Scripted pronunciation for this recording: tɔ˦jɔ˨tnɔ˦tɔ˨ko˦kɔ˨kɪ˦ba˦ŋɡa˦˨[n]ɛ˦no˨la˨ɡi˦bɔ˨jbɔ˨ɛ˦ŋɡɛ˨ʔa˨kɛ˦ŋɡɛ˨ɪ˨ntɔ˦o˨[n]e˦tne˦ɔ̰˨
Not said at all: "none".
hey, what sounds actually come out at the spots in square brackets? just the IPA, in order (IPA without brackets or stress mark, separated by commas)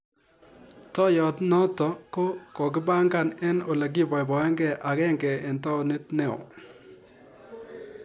n, n